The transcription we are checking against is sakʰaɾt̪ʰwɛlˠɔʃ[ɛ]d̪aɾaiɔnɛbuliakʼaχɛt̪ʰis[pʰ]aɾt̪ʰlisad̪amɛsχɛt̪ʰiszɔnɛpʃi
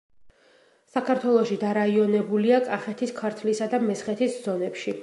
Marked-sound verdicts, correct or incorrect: incorrect: i, incorrect: kʰ

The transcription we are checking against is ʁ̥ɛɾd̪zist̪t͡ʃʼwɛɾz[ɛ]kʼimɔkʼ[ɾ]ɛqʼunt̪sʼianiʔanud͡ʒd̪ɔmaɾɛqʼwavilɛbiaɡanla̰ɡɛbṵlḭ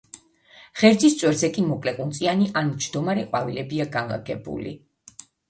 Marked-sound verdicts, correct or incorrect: correct, incorrect: l

